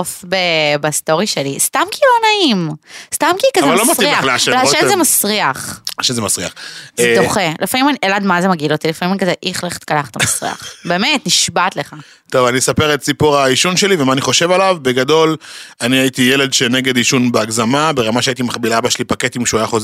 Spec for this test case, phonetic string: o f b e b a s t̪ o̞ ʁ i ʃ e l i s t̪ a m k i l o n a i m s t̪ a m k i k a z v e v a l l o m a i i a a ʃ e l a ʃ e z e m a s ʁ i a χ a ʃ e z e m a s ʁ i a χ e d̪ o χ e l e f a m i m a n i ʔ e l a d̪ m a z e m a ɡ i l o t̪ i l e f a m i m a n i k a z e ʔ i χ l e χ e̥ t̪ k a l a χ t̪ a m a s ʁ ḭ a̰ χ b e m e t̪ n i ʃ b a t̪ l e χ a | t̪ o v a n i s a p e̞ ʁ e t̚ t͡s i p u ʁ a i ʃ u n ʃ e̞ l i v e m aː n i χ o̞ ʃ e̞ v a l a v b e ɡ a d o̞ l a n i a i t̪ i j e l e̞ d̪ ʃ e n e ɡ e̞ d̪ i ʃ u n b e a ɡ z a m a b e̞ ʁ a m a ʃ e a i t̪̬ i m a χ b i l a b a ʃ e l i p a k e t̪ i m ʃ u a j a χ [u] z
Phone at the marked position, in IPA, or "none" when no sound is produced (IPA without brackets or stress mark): o